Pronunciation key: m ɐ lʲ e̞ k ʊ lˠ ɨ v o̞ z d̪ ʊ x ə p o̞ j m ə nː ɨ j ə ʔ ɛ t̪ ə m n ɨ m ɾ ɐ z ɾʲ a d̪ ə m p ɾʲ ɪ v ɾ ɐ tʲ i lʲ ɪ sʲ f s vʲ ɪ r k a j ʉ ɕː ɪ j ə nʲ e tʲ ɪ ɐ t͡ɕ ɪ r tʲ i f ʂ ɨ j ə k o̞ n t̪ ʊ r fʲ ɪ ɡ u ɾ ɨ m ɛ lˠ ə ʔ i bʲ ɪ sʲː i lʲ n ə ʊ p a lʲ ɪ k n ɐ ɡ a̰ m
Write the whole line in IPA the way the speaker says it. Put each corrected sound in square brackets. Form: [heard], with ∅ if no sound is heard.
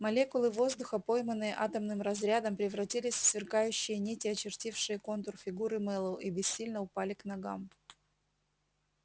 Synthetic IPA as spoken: m ɐ lʲ e̞ k ʊ lˠ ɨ v o̞ z d̪ ʊ x ə p o̞ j m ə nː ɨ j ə ʔ [a] t̪ ə m n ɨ m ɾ ɐ z ɾʲ a d̪ ə m p ɾʲ ɪ v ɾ ɐ tʲ i lʲ ɪ sʲ f s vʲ ɪ r k a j ʉ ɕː ɪ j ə nʲ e tʲ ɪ ɐ t͡ɕ ɪ r tʲ i f ʂ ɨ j ə k o̞ n t̪ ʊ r fʲ ɪ ɡ u ɾ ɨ m ɛ lˠ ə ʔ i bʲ ɪ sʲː i lʲ n ə ʊ p a lʲ ɪ k n ɐ ɡ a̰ m